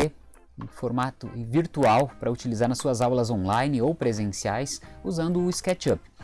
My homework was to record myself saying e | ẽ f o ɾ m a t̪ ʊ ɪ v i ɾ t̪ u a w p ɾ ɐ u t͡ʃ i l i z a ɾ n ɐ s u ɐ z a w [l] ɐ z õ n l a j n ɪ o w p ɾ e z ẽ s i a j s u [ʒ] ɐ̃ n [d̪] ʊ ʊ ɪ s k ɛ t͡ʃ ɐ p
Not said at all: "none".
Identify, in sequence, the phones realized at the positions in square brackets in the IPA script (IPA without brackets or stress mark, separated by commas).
l, z, d̪